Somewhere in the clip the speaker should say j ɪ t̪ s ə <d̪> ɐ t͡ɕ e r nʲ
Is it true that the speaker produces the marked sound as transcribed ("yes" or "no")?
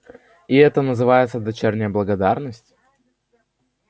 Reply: yes